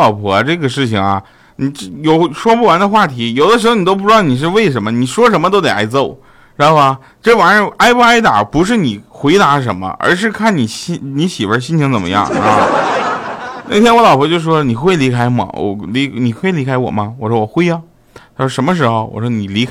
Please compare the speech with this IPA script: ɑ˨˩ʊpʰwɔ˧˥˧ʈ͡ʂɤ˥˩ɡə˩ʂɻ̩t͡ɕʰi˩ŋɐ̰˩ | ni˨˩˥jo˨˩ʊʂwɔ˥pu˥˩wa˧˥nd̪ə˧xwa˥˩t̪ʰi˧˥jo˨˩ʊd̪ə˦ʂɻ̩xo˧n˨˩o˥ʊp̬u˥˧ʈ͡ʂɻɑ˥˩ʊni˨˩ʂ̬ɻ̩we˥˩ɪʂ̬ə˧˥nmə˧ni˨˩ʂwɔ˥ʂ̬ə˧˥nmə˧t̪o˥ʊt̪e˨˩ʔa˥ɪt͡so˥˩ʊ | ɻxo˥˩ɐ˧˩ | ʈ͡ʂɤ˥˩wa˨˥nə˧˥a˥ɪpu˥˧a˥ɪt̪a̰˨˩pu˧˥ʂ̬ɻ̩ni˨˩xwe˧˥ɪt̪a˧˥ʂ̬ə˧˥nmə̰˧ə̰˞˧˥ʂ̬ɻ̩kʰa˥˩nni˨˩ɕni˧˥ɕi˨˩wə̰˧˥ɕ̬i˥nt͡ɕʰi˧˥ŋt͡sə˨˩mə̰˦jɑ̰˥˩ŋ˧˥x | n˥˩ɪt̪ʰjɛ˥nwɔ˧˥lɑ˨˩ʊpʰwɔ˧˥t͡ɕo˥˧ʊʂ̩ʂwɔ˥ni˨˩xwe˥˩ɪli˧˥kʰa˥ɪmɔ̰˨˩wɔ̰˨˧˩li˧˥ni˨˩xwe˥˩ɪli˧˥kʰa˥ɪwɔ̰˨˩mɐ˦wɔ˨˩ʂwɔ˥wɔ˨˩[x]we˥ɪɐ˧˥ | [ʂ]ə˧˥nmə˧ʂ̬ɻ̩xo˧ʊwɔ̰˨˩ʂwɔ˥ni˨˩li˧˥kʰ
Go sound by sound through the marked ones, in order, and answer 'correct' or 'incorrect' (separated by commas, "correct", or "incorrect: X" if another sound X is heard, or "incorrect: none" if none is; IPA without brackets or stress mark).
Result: correct, correct